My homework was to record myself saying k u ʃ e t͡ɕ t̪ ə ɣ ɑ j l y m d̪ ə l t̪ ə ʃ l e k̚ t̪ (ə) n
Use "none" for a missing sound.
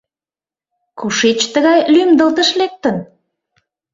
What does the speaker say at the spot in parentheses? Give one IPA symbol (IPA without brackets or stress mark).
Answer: ə